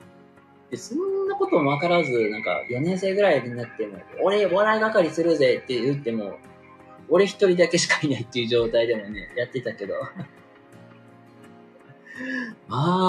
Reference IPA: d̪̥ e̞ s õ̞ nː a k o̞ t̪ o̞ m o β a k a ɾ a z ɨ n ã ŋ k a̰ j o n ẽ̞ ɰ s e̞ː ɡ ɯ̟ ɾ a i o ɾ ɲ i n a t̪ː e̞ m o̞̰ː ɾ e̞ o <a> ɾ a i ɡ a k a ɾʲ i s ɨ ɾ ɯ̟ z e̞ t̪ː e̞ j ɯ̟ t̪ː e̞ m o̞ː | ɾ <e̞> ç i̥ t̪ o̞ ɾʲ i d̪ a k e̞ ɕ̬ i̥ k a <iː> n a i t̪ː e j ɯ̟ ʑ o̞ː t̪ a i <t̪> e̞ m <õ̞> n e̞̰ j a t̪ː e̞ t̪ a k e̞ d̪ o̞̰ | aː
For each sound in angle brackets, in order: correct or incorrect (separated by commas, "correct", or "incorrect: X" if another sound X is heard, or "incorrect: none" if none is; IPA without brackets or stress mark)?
correct, correct, incorrect: i, incorrect: d̪, incorrect: o̞